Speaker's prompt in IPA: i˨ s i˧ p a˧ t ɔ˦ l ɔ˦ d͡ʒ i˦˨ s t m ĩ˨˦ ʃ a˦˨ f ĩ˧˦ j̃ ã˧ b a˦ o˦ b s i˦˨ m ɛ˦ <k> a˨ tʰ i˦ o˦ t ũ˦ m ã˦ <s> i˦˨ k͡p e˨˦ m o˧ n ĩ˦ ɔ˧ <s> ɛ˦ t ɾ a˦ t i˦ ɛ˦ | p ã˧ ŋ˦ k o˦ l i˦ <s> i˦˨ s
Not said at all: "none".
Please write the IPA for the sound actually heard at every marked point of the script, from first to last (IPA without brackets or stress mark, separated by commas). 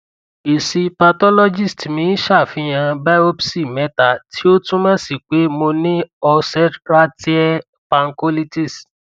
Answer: t, s, s, t